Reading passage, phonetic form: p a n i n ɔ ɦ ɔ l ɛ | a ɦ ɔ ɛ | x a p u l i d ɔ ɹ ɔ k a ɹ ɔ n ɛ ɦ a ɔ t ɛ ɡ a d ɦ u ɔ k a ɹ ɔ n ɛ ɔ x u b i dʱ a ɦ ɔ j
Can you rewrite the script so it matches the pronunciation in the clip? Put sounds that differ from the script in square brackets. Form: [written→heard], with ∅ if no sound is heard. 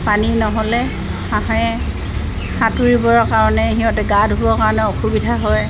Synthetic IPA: p a n i n ɔ ɦ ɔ l ɛ | a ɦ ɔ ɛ | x a [p→t] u [l→ɹ] i [d→b] ɔ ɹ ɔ k a ɹ ɔ n ɛ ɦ [a→i] ɔ t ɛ ɡ a d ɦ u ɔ k a ɹ ɔ n ɛ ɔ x u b i dʱ a ɦ ɔ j